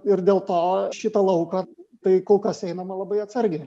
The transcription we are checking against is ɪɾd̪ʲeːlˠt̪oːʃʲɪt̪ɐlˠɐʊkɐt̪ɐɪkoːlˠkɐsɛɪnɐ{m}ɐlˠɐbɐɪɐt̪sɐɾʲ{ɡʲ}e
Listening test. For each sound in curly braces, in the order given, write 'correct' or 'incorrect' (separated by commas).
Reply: correct, correct